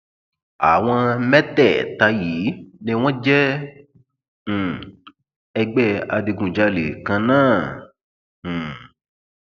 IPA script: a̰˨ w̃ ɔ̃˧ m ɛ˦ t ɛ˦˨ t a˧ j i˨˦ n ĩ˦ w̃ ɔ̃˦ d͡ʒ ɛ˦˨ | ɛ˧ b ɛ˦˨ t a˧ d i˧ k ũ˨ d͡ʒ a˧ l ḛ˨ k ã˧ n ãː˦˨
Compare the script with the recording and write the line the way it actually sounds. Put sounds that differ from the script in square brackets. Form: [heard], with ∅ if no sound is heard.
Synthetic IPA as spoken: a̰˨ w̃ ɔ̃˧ m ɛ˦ t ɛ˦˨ t a˧ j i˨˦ n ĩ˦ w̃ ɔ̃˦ d͡ʒ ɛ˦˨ | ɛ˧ [ɡ͡b] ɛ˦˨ [∅] a˧ d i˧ [ɡ] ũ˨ d͡ʒ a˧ l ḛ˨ k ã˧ n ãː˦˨